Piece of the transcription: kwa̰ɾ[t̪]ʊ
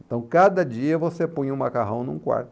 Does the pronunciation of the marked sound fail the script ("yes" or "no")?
no